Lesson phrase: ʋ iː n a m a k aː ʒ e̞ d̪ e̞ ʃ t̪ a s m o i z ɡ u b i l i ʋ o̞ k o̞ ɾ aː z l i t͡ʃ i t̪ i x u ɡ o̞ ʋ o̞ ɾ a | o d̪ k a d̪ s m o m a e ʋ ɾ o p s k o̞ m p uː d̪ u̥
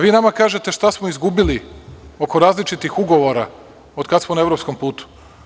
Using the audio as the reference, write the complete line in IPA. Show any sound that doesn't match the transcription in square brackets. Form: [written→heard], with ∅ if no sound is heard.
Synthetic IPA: ʋ iː n a m a k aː ʒ e̞ [d̪→t̪] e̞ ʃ t̪ a s m o i z ɡ u b i l i [ʋ→∅] o̞ k o̞ ɾ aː z l i t͡ʃ i t̪ i x u ɡ o̞ ʋ o̞ ɾ a | o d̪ k a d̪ s m o [m→n] a e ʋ ɾ o p s k o̞ m p uː [d̪→t̪] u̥